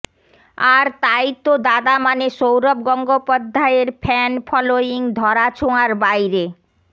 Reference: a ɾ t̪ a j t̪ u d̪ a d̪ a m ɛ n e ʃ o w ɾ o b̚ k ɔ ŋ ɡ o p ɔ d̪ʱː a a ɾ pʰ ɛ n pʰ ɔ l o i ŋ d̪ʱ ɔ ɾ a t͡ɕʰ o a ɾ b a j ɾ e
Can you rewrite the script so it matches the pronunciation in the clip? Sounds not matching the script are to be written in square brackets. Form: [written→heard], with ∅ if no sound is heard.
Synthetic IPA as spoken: a ɾ t̪ a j t̪ [u→o] d̪ a d̪ a m [ɛ→a] n e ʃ o w ɾ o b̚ [k→ɡ] ɔ ŋ ɡ o p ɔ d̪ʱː a [a→e] ɾ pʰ ɛ n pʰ ɔ l o i ŋ d̪ʱ ɔ ɾ a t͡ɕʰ o a ɾ b a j ɾ e